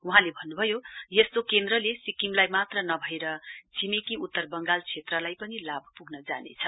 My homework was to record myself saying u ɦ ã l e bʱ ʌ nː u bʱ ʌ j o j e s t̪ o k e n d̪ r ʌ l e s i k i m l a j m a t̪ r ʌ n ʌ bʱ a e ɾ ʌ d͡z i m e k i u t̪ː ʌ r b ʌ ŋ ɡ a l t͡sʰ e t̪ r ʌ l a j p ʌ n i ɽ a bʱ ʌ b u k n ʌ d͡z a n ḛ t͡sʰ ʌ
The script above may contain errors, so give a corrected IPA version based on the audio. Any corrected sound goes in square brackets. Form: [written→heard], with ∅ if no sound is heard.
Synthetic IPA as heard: u ɦ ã l e bʱ ʌ nː u bʱ ʌ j o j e s t̪ o k e n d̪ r ʌ l e s i k i m l a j m a t̪ r ʌ n ʌ bʱ [a→ʌ] e ɾ ʌ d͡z i m e k i u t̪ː ʌ r b ʌ ŋ ɡ a l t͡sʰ e t̪ r ʌ l a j p ʌ n i [ɽ→l] a bʱ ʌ [b→p] u [k→ɡ] n ʌ d͡z a n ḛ t͡sʰ ʌ

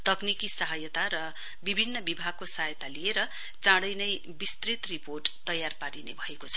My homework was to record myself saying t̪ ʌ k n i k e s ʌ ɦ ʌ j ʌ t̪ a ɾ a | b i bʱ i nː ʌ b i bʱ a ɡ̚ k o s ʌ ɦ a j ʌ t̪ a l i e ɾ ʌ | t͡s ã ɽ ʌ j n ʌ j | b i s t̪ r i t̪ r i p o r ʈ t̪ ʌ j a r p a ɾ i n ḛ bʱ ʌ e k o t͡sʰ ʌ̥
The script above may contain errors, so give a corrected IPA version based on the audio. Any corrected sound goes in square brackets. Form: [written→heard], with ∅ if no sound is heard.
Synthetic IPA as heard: t̪ ʌ k n i k [e→i] s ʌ ɦ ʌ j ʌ t̪ a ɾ [a→ʌ] | b i bʱ i nː ʌ b i bʱ a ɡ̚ k o s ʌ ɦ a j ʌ t̪ a l i e ɾ ʌ | t͡s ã ɽ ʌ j n ʌ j | b i s t̪ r i t̪ r i p o r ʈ t̪ ʌ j a r p a ɾ i n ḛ bʱ ʌ e k o t͡sʰ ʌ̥

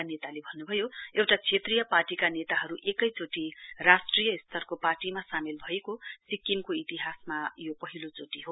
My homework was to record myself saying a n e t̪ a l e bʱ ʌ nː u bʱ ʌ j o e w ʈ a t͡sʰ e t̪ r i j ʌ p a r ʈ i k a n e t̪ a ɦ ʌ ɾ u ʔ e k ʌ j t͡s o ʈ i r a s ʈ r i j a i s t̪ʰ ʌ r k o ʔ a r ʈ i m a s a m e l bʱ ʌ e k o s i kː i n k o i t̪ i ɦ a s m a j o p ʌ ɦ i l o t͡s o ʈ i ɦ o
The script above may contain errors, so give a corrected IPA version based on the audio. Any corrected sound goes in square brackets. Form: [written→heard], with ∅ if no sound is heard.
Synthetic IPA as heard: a n e t̪ a l e bʱ ʌ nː u bʱ ʌ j o e w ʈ a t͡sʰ e t̪ r i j ʌ p a r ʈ i k a n e t̪ a ɦ ʌ ɾ u ʔ e k ʌ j t͡s o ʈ i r a s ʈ r i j [a→ʌ] i s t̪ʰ ʌ r k o [ʔ→p] a r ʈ i m a s a m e l bʱ ʌ e k o s i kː i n k o i t̪ i ɦ a s m a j o p ʌ ɦ i l o t͡s o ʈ i ɦ o

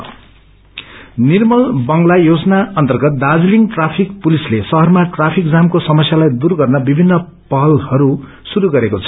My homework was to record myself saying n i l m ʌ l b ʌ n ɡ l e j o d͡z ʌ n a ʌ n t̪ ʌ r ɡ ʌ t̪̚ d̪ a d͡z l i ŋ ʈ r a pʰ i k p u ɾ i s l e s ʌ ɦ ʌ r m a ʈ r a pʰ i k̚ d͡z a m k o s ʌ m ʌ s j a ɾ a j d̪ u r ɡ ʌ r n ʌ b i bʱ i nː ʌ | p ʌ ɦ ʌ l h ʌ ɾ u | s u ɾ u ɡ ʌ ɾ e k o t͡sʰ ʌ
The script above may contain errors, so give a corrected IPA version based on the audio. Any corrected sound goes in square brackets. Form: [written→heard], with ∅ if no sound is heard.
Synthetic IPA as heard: n i [l→r] m ʌ l b ʌ [n→ŋ] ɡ l [e→a] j o d͡z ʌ n a ʌ n t̪ ʌ r ɡ ʌ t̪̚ d̪ a d͡z l i ŋ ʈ r a pʰ i k p u [ɾ→l] i s l e s ʌ ɦ ʌ r m a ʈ r a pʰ i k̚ d͡z a m k o s ʌ m ʌ s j a [ɾ→l] a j d̪ u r ɡ ʌ r n ʌ b i bʱ i nː ʌ | p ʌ ɦ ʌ l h ʌ ɾ u | s u ɾ u ɡ ʌ ɾ e k o t͡sʰ ʌ

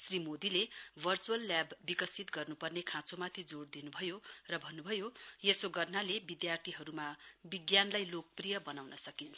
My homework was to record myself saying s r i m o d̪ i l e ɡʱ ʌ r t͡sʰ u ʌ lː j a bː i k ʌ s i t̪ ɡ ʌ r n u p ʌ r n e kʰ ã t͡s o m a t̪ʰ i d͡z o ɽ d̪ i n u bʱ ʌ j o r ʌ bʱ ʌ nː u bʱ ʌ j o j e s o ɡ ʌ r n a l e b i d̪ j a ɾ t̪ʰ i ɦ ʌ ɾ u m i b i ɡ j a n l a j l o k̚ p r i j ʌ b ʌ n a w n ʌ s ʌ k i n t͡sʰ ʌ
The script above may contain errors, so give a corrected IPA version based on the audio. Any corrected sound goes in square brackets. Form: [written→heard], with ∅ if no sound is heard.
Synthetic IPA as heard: s r i m o d̪ i l e [ɡʱ→bʱ] ʌ r [t͡sʰ→t͡s] u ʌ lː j a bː i k ʌ s i t̪ ɡ ʌ r n u p ʌ r n e kʰ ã t͡s o m a t̪ʰ i d͡z o ɽ d̪ i n u bʱ ʌ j o r ʌ bʱ ʌ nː u bʱ ʌ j o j e s o ɡ ʌ r n a l e b i d̪ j a [ɾ→r] t̪ʰ i ɦ ʌ ɾ u m [i→a] b i ɡ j a n l a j l o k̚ p r i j ʌ b ʌ n a w n ʌ s ʌ k i n t͡sʰ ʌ

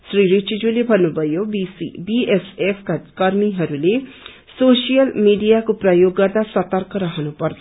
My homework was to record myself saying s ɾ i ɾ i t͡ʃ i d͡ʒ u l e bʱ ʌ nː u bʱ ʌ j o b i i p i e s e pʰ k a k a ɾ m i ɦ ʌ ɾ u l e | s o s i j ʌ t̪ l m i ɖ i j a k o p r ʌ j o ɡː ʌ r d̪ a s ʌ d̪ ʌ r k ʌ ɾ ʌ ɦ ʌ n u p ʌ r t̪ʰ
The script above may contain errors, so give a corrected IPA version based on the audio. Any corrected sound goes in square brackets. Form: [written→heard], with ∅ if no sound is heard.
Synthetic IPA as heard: s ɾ i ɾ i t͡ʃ i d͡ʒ u l e bʱ ʌ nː u bʱ ʌ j o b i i [p→b] i e s e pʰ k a k [a→ʌ] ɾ m i ɦ ʌ ɾ u l e | s o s i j ʌ [t̪→∅] l m i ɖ i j a k o p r ʌ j o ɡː ʌ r d̪ a s ʌ [d̪→t̪] ʌ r k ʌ ɾ ʌ ɦ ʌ n u p ʌ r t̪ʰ

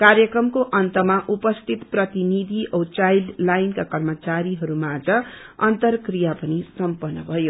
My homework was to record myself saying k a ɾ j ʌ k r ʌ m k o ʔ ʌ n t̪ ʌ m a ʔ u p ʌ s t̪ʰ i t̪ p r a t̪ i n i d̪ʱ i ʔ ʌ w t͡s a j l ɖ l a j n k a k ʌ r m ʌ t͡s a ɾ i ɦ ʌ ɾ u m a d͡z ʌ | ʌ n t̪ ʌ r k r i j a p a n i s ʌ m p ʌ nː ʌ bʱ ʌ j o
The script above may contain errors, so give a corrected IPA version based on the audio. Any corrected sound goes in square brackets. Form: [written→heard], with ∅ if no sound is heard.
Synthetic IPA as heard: k a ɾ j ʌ k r ʌ m k o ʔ ʌ n t̪ ʌ m a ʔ u p ʌ s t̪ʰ i t̪ p r [a→ʌ] t̪ i n i d̪ʱ i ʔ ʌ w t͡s a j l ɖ l a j n k a k ʌ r m ʌ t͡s a ɾ i ɦ ʌ ɾ u m a d͡z ʌ | ʌ n t̪ ʌ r k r i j a p [a→ʌ] n i s ʌ m p ʌ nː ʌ bʱ ʌ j o

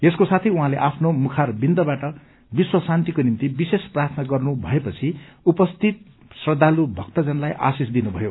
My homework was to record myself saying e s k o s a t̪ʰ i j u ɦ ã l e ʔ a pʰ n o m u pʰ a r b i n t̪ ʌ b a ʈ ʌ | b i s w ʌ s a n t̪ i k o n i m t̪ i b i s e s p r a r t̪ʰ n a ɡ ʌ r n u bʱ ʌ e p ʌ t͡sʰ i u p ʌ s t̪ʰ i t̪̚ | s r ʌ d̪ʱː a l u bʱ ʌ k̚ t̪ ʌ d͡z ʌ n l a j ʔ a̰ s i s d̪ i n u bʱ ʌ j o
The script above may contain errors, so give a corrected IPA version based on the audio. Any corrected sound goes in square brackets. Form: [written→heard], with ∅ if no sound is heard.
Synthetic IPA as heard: e s k o s a t̪ʰ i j u ɦ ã l e ʔ a pʰ n o m u [pʰ→kʰ] a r b i n [t̪→d̪] ʌ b a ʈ ʌ | b i s w ʌ s a n t̪ i k o n i m t̪ i b i s e s p r a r t̪ʰ n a ɡ ʌ r n u bʱ ʌ e p ʌ t͡sʰ i u p ʌ s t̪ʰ i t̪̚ | s r ʌ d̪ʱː a l u bʱ ʌ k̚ t̪ ʌ d͡z ʌ n l a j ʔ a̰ s i s d̪ i n u bʱ ʌ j o

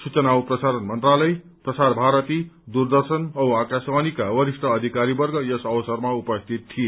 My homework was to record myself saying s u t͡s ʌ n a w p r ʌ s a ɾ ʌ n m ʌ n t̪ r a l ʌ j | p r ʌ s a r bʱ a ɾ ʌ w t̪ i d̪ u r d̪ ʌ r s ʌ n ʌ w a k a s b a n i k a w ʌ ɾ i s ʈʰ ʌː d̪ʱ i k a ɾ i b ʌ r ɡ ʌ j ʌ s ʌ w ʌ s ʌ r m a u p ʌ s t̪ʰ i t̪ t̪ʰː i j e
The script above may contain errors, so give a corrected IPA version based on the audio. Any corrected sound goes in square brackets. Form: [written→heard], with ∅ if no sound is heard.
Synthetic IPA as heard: s u t͡s ʌ n a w p r ʌ s a ɾ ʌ n m ʌ n t̪ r a l ʌ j | p r ʌ s a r bʱ a ɾ ʌ [w→∅] t̪ i d̪ u r d̪ ʌ r s ʌ n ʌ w a k a s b a n i k a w ʌ ɾ i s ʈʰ ʌː d̪ʱ i k a ɾ i b ʌ r ɡ ʌ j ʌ s ʌ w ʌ s ʌ r m a u p ʌ s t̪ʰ i t̪ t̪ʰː i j e

